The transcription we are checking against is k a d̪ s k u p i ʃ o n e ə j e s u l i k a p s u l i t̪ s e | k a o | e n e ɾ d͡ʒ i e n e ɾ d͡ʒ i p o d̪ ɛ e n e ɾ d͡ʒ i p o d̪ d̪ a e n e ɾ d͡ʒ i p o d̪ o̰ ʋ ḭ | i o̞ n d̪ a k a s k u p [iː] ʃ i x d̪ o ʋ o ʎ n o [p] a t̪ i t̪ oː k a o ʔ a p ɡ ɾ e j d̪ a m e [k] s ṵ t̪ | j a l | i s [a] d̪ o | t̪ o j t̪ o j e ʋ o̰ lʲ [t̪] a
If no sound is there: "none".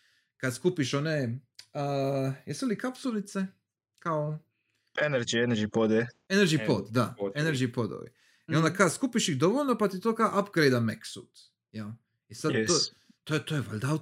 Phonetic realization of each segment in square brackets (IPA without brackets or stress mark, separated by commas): i, p, k, a, d̪